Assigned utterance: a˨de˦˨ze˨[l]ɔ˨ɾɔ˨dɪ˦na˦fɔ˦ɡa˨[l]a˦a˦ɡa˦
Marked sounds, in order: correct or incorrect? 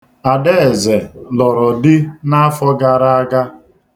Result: correct, incorrect: ɾ

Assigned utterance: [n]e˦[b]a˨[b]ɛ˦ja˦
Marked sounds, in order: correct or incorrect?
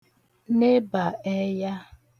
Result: correct, correct, incorrect: none

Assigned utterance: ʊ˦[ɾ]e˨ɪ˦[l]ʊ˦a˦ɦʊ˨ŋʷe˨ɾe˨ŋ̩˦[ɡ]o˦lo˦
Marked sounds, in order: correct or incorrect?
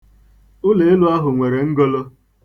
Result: incorrect: l, correct, correct

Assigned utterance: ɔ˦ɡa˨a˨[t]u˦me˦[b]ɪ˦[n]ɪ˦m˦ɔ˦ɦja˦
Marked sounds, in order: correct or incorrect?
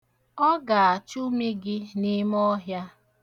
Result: incorrect: t͡ʃ, incorrect: ɡ, correct

